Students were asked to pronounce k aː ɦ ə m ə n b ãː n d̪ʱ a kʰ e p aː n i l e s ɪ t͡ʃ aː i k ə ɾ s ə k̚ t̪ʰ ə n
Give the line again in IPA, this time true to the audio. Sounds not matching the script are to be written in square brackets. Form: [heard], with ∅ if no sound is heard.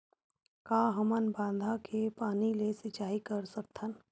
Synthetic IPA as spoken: k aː ɦ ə m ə n b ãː n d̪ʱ a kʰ e p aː n i l e s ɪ t͡ʃ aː i k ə ɾ s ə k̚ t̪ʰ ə n